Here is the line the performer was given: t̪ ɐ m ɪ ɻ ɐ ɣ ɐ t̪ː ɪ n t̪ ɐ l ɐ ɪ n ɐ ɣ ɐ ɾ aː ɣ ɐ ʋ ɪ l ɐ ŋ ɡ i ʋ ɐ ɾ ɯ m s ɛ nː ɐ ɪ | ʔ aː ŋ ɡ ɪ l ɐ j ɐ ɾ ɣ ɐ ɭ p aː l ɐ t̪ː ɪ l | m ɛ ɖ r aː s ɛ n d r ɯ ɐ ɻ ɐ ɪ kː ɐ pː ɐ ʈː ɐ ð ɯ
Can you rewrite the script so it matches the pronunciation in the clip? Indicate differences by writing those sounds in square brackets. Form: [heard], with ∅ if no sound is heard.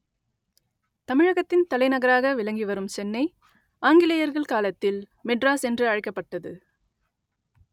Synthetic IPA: t̪ ɐ m ɪ ɻ ɐ ɣ ɐ t̪ː ɪ n t̪ ɐ l ɐ ɪ n ɐ ɣ ɐ ɾ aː ɣ ɐ ʋ ɪ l ɐ ŋ ɡ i ʋ ɐ ɾ ɯ m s ɛ nː ɐ ɪ | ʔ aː ŋ ɡ ɪ l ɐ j ɐ ɾ ɣ ɐ ɭ [k] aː l ɐ t̪ː ɪ l | m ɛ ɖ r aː s ɛ n d r ɯ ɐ ɻ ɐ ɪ kː ɐ pː ɐ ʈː ɐ ð ɯ